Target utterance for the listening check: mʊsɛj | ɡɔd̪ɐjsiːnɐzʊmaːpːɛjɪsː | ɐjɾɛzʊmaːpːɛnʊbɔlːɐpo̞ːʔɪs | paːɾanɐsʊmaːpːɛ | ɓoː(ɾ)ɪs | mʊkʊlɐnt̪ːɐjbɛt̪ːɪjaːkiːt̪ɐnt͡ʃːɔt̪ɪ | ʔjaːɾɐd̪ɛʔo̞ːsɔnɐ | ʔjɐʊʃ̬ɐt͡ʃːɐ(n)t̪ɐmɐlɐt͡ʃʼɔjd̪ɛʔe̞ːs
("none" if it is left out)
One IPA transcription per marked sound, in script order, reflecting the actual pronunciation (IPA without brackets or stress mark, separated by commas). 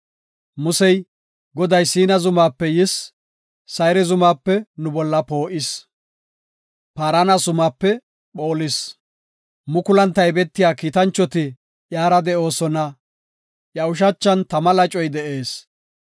l, n